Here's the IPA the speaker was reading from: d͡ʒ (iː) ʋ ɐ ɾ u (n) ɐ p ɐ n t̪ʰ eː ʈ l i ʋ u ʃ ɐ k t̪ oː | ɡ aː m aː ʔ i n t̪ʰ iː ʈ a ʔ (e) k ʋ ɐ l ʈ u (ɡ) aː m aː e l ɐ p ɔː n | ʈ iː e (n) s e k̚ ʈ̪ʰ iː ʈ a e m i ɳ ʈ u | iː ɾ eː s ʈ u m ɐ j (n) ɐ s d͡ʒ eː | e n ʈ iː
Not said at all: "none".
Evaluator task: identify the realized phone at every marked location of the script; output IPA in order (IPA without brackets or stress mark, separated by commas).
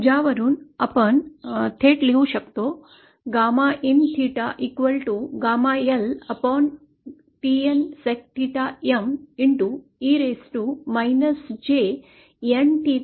aː, n, i, ɡ, n, n